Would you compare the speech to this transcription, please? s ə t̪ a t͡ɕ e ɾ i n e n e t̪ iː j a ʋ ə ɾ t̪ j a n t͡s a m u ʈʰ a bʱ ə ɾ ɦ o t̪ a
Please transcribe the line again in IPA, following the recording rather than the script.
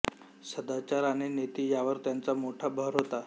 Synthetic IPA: s ə d̪ a t͡ɕ a ɾ a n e n e t̪ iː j a ʋ ə ɾ t̪ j a n t͡s a m o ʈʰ a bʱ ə ɾ ɦ o t̪ a